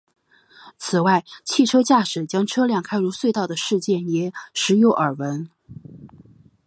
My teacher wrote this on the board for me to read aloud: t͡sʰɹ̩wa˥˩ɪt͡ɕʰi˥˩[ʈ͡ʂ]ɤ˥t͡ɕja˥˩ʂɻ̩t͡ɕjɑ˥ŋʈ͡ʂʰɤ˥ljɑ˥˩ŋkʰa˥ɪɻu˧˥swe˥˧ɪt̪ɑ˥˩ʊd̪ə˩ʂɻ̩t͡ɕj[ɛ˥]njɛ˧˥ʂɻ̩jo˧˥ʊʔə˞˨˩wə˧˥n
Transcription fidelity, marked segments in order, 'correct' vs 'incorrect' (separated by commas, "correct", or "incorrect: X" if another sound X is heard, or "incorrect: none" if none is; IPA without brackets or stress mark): incorrect: ʈ͡ʂʰ, incorrect: ɛ˥˩